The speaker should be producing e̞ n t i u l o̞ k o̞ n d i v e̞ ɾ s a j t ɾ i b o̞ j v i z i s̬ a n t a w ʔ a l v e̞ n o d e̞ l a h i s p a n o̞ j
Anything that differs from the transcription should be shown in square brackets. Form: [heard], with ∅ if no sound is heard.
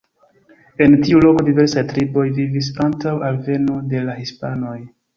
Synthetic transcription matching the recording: e̞ n t i u l o̞ k o̞ [∅] d i v e̞ ɾ s a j t ɾ i b o̞ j v i [v] i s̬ a n t a w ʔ a l v e̞ n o d e̞ l a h i s p a n o̞ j